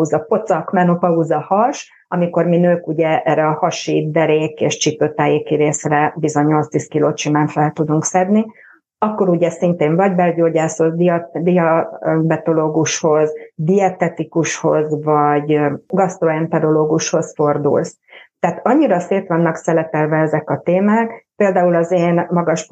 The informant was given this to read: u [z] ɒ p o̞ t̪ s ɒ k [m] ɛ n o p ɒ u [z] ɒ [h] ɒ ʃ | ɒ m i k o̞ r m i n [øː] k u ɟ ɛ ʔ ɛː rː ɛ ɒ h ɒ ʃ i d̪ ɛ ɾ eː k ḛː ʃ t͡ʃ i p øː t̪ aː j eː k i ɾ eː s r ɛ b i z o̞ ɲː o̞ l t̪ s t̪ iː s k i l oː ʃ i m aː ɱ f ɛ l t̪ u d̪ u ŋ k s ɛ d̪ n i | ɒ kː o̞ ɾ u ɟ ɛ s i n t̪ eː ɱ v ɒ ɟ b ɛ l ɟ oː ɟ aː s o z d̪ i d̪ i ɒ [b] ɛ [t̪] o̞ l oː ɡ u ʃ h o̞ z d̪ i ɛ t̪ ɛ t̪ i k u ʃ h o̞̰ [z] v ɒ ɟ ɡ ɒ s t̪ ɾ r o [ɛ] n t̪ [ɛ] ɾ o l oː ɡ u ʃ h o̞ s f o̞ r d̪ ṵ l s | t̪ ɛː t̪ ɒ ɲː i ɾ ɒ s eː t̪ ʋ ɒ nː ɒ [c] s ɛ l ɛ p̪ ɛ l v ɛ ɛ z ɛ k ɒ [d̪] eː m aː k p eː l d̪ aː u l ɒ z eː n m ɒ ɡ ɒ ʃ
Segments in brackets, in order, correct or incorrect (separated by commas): correct, correct, correct, correct, correct, correct, correct, correct, correct, correct, incorrect, incorrect